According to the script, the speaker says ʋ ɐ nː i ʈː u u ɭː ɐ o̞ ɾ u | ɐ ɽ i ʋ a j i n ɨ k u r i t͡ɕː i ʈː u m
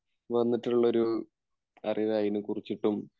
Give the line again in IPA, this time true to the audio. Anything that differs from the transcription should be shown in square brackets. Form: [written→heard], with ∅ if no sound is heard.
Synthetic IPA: ʋ ɐ nː i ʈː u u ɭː ɐ o̞ ɾ u | ɐ [ɽ→r] i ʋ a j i n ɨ k u r i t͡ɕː i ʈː u m